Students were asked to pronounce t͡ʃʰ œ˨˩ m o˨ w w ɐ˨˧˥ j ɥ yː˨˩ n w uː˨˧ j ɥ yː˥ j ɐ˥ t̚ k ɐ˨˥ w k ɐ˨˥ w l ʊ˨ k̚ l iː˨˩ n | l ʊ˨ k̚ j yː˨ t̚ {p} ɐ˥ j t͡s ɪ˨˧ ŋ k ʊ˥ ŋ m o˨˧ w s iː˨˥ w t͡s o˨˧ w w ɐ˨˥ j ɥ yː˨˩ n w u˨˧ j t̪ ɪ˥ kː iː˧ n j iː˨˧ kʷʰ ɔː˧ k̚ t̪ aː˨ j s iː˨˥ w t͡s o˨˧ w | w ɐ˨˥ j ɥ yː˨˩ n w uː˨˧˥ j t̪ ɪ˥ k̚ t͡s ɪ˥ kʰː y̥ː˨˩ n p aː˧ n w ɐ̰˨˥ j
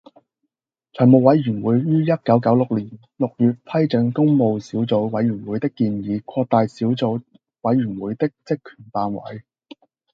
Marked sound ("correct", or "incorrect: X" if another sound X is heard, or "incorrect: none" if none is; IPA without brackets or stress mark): incorrect: pʰ